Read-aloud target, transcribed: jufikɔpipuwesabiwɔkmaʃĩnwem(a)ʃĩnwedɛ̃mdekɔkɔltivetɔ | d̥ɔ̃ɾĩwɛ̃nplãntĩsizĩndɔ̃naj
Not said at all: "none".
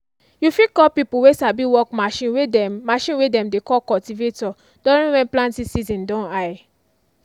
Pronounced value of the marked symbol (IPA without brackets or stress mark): a